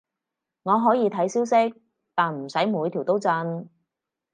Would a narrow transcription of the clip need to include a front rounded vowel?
no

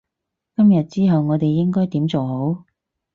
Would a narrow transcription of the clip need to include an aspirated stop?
no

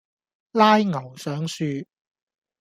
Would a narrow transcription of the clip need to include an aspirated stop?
no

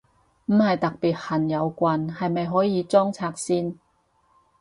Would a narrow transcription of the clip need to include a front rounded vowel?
no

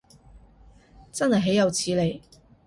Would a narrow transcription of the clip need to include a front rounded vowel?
no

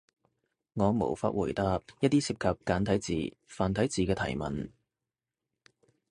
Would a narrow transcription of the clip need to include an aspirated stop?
yes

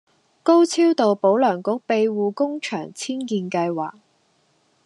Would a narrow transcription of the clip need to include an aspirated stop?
yes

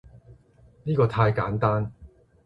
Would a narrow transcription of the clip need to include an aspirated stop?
yes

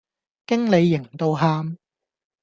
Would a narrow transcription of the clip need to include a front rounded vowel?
no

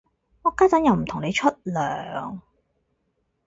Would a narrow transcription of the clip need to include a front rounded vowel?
yes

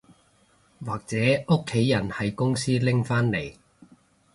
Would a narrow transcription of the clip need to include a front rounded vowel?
no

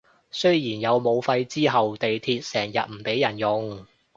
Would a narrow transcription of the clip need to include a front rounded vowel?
no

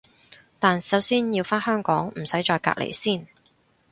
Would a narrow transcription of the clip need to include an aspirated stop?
no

